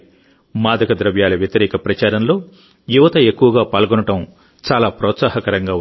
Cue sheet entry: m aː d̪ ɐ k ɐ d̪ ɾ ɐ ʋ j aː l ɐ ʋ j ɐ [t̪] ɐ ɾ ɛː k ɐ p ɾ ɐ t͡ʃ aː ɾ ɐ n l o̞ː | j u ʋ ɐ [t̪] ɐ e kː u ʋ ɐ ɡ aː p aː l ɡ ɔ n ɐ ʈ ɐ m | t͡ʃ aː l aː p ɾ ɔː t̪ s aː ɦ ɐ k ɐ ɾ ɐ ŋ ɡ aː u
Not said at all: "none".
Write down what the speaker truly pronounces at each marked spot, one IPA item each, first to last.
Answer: t̪, t̪

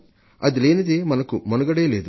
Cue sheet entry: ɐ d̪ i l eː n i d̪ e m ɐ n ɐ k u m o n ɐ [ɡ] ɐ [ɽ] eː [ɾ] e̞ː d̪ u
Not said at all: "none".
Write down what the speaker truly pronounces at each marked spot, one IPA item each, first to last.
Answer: ɡ, ɽ, l

